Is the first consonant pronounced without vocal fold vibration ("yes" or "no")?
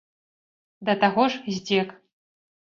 no